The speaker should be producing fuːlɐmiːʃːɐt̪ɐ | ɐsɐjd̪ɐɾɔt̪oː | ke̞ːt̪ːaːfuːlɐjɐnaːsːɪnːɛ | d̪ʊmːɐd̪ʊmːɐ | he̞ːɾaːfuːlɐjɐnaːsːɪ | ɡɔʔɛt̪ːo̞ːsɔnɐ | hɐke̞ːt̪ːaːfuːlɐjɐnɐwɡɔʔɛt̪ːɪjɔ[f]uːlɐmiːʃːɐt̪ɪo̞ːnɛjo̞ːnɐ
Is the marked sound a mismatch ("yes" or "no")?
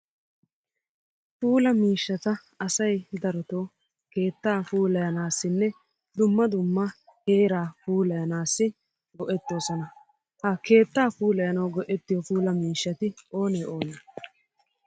no